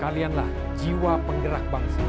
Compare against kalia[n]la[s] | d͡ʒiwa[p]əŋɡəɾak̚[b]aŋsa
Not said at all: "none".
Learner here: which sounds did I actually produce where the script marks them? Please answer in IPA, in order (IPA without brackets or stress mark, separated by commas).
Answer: n, h, p, b